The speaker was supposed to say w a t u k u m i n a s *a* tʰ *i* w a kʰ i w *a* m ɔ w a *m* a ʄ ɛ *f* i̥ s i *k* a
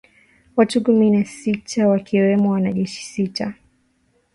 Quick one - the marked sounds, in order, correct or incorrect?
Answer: incorrect: i, incorrect: a, incorrect: ɛ, incorrect: n, incorrect: ʃ, incorrect: t

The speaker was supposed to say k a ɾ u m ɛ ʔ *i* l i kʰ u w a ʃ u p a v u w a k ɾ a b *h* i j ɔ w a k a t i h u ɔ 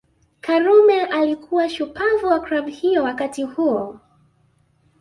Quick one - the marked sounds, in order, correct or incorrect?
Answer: incorrect: a, correct

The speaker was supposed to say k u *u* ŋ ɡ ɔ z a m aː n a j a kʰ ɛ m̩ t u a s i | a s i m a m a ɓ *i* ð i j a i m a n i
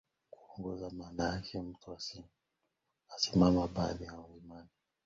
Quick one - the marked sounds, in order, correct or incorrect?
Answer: incorrect: ɔ, incorrect: a

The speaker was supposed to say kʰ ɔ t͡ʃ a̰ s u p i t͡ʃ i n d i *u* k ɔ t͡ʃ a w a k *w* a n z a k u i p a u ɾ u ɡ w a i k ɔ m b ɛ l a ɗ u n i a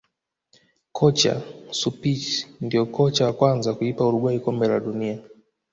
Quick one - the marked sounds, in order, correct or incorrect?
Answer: incorrect: ɔ, correct

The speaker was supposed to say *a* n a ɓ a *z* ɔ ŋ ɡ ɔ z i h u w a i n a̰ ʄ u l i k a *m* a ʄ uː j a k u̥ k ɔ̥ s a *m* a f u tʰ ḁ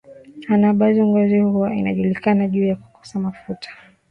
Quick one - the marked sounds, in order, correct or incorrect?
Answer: correct, correct, incorrect: n, correct

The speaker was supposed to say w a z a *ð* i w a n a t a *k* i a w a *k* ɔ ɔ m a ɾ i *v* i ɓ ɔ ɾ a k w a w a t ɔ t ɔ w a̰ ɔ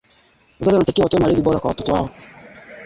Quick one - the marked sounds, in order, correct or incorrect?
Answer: incorrect: z, correct, incorrect: t, incorrect: z

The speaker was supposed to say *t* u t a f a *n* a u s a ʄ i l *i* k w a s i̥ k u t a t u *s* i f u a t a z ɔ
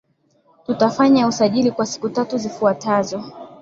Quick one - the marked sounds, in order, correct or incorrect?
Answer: correct, incorrect: ɲ, correct, incorrect: z

